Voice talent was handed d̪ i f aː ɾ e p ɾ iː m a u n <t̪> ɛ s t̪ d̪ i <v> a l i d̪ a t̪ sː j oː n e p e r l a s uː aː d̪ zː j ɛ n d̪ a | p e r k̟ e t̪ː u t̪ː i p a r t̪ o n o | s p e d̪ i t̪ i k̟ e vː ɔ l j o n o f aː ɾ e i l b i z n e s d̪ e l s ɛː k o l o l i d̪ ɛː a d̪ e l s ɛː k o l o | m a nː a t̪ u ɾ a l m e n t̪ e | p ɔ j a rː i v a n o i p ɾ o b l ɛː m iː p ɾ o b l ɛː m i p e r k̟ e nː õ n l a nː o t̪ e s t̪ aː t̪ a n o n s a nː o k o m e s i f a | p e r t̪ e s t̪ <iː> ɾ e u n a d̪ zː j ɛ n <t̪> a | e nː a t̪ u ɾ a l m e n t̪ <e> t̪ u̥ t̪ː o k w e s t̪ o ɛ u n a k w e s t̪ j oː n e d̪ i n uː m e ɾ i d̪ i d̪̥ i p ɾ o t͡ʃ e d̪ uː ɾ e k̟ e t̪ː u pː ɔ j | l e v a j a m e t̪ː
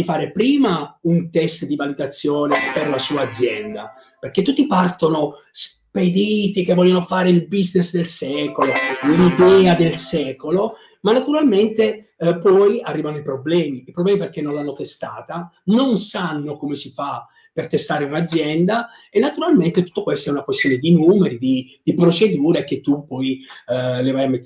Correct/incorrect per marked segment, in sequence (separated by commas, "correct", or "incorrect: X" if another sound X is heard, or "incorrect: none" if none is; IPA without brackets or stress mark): correct, correct, incorrect: aː, incorrect: d̪, correct